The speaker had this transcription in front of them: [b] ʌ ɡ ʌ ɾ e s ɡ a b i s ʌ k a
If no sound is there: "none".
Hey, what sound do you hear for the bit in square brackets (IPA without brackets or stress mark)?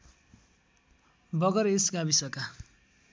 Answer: b